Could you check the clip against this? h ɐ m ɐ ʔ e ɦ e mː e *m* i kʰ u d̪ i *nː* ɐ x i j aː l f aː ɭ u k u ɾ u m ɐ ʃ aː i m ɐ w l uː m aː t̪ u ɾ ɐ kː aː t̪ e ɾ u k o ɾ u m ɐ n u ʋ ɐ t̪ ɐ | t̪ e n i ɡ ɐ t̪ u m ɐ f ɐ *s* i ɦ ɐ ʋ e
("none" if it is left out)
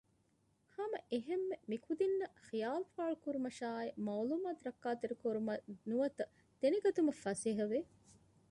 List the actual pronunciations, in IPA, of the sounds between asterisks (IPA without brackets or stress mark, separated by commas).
m, nː, s